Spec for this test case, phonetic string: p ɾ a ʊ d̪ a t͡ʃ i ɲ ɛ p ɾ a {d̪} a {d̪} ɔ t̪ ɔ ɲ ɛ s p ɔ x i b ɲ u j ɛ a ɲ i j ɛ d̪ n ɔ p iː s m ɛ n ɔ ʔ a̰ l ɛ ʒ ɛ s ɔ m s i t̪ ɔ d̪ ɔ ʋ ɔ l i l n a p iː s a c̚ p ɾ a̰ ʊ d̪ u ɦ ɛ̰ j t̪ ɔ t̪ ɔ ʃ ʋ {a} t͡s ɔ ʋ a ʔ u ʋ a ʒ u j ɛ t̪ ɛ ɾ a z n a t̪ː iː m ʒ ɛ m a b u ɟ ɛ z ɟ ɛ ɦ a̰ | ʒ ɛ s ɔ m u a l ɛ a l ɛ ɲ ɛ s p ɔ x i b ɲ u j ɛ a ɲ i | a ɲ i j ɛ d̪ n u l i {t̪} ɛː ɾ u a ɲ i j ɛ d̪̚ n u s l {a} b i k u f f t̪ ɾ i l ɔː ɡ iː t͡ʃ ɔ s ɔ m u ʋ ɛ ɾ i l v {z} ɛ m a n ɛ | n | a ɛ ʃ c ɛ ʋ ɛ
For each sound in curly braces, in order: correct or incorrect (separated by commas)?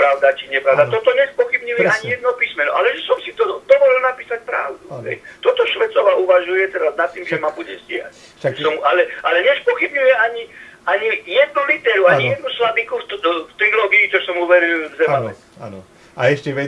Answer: correct, incorrect, incorrect, correct, correct, correct